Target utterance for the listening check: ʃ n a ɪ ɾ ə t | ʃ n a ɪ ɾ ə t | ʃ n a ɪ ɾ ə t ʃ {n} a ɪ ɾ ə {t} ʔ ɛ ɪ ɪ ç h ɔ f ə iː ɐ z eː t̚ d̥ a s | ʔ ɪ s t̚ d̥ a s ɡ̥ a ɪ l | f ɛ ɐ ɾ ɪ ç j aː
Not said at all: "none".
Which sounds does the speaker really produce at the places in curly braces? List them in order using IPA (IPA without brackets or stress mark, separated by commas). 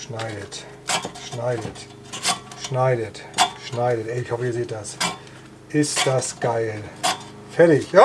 n, t